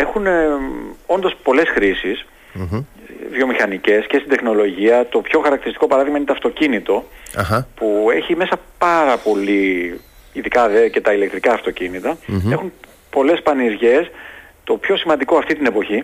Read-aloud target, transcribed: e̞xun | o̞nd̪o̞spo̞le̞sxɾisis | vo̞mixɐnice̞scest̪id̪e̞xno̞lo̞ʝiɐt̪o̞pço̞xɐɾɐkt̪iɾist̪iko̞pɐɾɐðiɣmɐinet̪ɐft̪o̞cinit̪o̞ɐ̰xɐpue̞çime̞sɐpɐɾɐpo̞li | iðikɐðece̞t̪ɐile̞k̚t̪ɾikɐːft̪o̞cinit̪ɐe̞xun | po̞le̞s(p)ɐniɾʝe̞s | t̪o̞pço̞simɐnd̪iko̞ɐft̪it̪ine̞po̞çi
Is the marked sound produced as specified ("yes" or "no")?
yes